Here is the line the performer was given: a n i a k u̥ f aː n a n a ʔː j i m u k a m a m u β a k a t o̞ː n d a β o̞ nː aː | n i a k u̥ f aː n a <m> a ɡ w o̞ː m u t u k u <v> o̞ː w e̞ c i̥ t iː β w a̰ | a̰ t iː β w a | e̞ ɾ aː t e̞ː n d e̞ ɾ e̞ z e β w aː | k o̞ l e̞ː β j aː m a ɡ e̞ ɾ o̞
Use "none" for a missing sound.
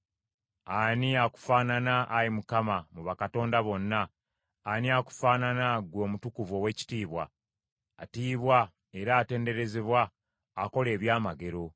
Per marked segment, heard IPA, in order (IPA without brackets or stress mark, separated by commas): n, v